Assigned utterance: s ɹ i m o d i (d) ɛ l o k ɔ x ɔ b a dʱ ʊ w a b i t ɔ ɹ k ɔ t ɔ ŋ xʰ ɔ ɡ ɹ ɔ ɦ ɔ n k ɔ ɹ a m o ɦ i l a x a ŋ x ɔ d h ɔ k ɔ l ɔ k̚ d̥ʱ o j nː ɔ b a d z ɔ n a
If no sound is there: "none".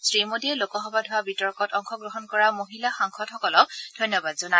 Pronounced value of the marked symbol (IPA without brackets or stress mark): none